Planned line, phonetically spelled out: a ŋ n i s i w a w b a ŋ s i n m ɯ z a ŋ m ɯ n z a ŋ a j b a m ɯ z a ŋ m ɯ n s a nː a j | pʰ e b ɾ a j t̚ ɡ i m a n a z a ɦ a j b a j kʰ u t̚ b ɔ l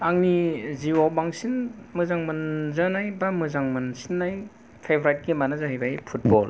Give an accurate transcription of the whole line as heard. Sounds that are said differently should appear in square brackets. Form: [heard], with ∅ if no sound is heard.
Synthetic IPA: a ŋ n i [z] i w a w b a ŋ s i n m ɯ z a ŋ m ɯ n z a [n] a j b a m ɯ z a ŋ m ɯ n s [i] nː a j | pʰ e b ɾ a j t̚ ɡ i m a n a z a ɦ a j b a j [pʰ] u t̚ b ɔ l